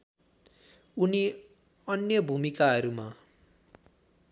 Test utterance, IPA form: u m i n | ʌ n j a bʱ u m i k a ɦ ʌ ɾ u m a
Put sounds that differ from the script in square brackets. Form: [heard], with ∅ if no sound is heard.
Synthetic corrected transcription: u [n] i [∅] | ʌ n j [ʌ] bʱ u m i k a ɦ ʌ ɾ u m a